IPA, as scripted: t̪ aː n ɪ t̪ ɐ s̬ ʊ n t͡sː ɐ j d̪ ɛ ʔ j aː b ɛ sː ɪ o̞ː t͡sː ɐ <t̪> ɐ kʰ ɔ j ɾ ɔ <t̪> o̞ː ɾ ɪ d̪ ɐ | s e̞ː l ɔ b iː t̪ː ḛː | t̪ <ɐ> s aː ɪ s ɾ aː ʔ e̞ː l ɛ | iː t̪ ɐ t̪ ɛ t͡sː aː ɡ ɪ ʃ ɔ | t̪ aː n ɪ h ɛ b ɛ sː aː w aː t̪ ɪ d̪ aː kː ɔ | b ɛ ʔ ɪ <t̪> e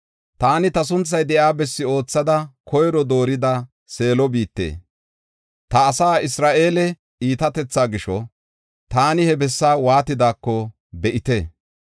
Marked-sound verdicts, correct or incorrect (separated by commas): incorrect, incorrect, incorrect, correct